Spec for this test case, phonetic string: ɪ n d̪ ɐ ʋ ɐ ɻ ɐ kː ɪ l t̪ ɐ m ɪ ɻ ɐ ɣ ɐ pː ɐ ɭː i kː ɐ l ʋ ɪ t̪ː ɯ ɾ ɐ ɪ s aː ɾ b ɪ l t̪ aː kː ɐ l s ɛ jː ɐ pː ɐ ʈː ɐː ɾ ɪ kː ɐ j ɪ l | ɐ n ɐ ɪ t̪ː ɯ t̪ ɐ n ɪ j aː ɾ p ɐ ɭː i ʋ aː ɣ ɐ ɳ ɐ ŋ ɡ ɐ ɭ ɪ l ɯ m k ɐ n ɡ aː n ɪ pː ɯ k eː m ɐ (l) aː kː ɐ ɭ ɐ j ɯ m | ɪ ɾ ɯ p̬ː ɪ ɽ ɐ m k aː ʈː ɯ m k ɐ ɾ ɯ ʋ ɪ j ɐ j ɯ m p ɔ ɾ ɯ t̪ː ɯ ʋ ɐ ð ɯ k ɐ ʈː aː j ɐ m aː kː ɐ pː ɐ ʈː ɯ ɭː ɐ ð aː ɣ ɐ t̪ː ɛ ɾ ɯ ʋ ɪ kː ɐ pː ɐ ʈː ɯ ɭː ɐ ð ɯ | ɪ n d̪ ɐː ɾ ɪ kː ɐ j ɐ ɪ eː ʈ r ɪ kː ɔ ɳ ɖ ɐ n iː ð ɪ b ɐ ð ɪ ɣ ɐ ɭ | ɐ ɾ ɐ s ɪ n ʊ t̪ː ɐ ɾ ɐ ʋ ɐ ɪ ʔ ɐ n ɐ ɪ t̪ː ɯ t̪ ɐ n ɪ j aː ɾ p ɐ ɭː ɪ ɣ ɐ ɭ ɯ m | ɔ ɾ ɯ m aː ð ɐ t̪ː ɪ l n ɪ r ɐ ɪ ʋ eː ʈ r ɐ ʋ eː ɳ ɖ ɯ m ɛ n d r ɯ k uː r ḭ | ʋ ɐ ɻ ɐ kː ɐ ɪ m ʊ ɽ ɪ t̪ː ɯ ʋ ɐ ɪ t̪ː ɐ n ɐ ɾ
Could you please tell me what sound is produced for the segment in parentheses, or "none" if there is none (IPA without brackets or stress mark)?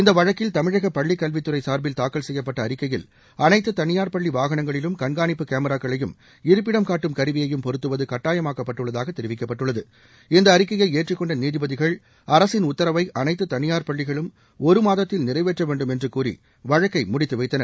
ɾ